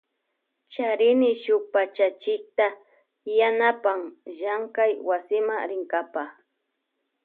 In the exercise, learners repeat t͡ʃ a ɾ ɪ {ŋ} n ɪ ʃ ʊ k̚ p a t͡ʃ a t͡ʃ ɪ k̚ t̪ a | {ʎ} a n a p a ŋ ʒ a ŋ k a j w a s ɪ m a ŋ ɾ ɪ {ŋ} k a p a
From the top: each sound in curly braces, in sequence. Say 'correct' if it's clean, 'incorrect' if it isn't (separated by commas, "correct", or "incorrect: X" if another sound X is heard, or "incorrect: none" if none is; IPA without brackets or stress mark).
incorrect: none, incorrect: j, correct